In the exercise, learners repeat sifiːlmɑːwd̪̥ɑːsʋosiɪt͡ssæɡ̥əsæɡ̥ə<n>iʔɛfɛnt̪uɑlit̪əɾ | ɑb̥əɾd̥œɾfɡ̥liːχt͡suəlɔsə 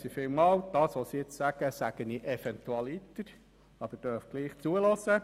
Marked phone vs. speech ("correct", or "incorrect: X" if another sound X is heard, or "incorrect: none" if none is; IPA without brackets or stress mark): correct